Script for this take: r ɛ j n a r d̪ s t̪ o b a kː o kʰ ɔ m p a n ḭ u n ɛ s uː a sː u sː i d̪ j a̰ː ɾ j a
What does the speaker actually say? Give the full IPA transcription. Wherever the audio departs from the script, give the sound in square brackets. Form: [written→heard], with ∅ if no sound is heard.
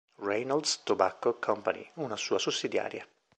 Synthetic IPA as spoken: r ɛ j n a [r→l] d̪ s t̪ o b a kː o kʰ ɔ m p a n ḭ u n [ɛ→a] s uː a [sː→s] u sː i d̪ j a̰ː ɾ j a